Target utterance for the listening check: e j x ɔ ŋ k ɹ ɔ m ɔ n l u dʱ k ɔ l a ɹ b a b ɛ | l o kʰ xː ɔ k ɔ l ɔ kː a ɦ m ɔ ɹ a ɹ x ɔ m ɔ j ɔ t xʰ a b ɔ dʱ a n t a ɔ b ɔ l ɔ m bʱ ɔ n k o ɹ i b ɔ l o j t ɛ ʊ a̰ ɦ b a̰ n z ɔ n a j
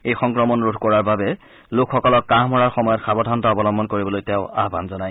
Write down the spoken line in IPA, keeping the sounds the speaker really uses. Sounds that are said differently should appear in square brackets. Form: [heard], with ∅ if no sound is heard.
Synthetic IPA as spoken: e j x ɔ ŋ k ɹ ɔ m ɔ n [ɹ] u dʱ k ɔ [ɹ] a ɹ b a b ɛ | l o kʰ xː ɔ k ɔ l ɔ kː a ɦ m ɔ ɹ a ɹ x ɔ m ɔ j ɔ t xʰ a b ɔ dʱ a n t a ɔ b ɔ l ɔ m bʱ ɔ n k o ɹ i b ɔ l o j t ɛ ʊ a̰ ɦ b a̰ n z ɔ n a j